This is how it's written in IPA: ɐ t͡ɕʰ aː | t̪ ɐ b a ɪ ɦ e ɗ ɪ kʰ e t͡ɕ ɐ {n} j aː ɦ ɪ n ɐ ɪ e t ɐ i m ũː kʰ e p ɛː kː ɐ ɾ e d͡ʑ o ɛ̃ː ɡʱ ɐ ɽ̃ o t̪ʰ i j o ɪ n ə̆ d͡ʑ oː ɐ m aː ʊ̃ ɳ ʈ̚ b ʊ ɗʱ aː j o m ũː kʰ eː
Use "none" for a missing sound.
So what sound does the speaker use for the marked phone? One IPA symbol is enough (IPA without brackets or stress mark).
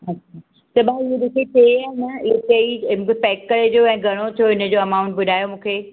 none